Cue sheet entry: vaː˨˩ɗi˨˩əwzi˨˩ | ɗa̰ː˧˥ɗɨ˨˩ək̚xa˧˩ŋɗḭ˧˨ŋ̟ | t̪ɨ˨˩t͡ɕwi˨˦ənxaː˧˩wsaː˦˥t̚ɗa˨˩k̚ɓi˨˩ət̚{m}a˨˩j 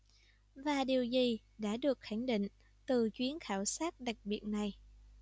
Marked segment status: incorrect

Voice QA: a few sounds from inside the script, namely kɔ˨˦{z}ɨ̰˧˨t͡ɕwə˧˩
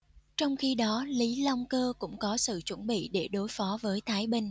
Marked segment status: incorrect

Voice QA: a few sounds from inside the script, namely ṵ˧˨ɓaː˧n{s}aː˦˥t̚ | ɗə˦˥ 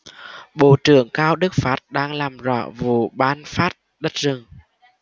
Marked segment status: incorrect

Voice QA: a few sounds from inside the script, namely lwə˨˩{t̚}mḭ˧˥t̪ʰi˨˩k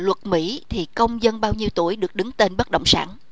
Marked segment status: correct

